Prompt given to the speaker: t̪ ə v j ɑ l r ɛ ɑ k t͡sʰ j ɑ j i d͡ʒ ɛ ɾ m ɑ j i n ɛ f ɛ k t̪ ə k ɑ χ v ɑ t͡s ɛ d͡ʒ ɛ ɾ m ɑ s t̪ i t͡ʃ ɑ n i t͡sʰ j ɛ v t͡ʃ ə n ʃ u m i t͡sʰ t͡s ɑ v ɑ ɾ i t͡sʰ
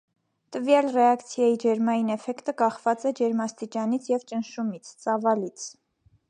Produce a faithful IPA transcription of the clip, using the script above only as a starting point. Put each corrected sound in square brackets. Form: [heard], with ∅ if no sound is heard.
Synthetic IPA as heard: t̪ ə v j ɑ l r ɛ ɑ k t͡sʰ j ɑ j i d͡ʒ ɛ ɾ m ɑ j i n ɛ f ɛ k t̪ ə k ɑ χ v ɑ t͡s ɛ d͡ʒ ɛ ɾ m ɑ s t̪ i t͡ʃ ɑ n i t͡sʰ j ɛ v t͡ʃ ə n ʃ u m i t͡sʰ t͡s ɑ v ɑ [l] i t͡sʰ